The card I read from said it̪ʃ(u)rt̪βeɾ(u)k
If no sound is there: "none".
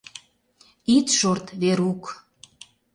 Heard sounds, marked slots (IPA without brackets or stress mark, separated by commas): o, u